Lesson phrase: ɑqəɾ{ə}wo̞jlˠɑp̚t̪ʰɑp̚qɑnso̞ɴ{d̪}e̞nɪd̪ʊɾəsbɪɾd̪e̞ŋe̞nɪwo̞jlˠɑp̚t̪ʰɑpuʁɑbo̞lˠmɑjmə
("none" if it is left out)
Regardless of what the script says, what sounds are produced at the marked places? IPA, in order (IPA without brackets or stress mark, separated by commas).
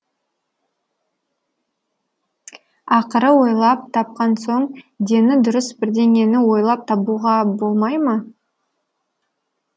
ə, d̪